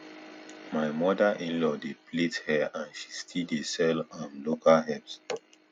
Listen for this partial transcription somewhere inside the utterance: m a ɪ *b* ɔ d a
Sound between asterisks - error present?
yes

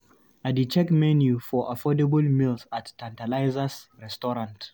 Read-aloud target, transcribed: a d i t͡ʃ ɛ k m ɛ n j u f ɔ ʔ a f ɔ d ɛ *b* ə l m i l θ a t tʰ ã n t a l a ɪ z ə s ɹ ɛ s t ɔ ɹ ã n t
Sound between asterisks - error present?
no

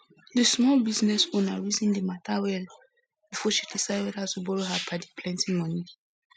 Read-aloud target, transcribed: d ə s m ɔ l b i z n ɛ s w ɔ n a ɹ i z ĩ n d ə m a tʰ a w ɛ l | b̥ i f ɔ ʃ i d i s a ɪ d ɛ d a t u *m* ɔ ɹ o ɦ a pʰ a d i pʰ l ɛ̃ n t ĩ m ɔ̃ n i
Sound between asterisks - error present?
yes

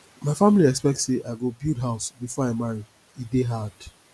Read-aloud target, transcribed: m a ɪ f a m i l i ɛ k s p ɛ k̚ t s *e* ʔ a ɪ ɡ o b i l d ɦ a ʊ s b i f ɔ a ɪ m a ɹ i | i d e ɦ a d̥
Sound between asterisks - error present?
no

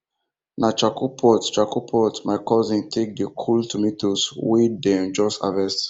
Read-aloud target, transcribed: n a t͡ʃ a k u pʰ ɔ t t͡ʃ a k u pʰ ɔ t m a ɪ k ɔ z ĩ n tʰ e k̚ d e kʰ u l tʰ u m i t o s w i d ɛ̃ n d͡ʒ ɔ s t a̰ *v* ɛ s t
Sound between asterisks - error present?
no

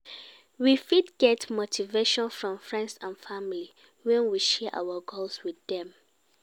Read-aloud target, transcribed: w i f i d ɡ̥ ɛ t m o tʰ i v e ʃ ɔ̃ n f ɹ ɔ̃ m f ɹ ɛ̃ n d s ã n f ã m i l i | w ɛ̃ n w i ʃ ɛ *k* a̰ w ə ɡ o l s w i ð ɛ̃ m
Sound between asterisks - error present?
yes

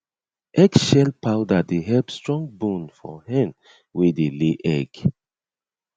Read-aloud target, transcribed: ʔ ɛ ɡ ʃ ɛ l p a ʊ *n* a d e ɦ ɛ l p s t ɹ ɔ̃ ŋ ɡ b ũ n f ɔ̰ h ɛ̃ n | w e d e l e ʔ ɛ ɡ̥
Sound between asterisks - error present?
yes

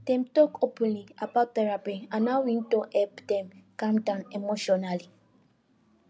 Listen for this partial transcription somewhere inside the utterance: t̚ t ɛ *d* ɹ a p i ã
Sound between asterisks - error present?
yes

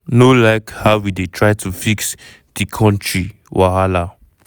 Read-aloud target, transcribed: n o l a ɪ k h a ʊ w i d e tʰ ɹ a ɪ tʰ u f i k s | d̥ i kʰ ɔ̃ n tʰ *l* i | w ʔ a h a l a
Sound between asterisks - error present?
yes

